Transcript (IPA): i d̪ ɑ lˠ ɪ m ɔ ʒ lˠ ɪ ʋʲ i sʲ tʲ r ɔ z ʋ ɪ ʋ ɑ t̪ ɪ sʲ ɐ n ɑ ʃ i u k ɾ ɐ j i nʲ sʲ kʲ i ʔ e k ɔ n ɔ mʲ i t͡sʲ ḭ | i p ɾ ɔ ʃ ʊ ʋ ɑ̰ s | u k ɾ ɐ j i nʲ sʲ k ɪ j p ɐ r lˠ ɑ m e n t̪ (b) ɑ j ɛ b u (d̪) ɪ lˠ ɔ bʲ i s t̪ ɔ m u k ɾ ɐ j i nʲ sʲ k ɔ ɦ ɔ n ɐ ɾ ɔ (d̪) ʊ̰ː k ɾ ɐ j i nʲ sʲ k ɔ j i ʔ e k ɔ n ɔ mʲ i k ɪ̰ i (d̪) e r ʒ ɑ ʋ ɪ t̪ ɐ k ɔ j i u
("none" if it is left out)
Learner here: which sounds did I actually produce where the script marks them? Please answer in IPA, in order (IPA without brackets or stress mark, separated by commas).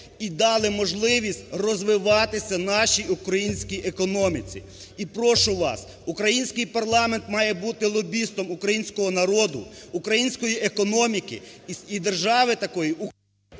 m, t̪, d̪, d̪